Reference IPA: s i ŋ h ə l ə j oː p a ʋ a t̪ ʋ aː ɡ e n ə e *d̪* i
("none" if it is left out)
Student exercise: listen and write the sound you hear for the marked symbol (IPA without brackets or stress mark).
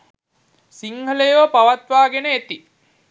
t̪